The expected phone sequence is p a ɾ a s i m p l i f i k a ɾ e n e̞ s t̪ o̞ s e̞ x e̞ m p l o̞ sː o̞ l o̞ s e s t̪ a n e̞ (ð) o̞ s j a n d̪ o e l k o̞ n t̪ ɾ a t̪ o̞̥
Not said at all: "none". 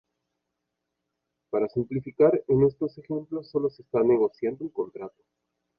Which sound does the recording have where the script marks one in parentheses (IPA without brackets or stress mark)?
ɣ